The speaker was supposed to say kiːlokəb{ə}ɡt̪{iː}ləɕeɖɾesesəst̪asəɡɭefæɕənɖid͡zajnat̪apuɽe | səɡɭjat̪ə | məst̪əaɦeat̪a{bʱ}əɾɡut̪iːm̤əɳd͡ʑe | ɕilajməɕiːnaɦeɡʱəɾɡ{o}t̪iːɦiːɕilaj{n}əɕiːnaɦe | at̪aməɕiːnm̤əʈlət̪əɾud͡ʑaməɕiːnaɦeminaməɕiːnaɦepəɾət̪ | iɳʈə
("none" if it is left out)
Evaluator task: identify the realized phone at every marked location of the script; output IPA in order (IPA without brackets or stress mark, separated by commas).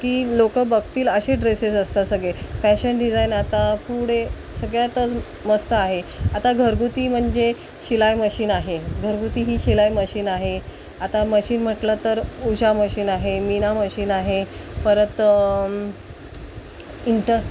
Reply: ə, iː, ɡʱ, u, m